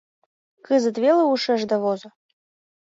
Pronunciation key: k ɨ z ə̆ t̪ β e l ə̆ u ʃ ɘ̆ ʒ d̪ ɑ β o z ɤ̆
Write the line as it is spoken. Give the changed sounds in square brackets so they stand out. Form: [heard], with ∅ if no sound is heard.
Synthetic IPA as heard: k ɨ z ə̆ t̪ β e l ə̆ u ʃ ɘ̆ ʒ d̪ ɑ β o z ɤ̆